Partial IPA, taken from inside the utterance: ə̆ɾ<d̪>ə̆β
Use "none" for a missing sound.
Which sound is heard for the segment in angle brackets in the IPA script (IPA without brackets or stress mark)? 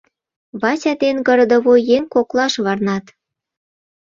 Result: d̪